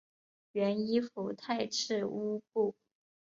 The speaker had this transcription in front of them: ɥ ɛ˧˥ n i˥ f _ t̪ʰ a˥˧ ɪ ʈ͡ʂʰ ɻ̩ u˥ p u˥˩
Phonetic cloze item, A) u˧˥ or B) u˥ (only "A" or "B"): A